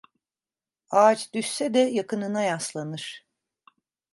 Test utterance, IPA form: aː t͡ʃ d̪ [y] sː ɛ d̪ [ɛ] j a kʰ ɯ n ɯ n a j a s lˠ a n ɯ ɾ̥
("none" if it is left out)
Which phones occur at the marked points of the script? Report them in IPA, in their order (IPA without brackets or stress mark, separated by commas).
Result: y, ɛ